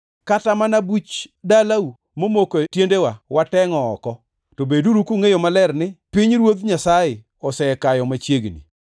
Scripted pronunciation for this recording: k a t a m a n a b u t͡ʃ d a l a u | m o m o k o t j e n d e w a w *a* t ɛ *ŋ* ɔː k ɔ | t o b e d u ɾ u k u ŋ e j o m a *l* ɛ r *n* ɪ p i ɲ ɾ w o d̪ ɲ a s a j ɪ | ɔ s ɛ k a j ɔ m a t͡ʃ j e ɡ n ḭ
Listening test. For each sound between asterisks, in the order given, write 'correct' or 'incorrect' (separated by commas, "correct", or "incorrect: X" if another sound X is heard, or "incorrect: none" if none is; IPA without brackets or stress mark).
correct, correct, correct, correct